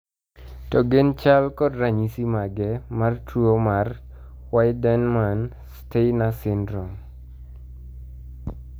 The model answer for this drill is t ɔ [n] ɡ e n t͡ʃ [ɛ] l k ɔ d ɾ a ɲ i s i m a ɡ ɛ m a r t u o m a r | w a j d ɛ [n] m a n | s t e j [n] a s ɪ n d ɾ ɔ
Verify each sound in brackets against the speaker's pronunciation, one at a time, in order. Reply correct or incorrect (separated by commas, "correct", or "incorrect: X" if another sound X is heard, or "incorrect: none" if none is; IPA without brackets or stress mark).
incorrect: none, incorrect: a, correct, correct